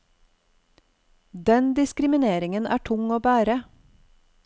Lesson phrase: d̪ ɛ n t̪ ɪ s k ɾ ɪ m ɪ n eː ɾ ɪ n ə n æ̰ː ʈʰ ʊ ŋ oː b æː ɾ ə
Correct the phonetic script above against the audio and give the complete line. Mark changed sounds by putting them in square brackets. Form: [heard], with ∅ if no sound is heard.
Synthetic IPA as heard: d̪ ɛ n [d̪] ɪ s k ɾ ɪ m ɪ n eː ɾ ɪ [ŋ] ə n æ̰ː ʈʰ ʊ ŋ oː b æː ɾ ə